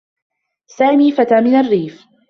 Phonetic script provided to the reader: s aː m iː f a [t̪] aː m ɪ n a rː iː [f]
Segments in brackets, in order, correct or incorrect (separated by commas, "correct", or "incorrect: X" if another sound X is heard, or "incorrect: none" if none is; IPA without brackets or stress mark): correct, correct